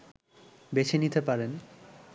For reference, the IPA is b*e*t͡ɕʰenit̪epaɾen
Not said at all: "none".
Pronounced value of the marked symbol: e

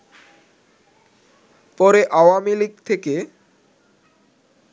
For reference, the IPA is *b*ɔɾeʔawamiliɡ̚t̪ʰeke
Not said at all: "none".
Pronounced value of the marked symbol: p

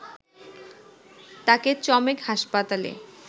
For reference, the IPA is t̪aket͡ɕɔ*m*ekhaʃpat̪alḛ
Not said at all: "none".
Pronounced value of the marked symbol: m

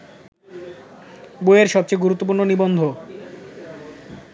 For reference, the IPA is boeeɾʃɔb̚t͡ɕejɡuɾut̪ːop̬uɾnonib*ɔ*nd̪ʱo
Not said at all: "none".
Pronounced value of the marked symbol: o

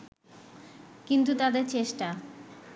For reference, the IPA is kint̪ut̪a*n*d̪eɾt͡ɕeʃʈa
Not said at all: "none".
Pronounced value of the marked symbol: none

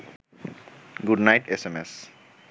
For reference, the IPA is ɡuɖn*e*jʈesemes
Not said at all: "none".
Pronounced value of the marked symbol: a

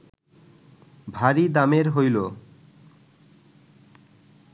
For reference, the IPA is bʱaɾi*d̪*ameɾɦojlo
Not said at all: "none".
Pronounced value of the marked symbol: d̪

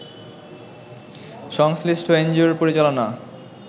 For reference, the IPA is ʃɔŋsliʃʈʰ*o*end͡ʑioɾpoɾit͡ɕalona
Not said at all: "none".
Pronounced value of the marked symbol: o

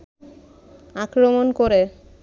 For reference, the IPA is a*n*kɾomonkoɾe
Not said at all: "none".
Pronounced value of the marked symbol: none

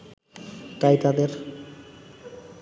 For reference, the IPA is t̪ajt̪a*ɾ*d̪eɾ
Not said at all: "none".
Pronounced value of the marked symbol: none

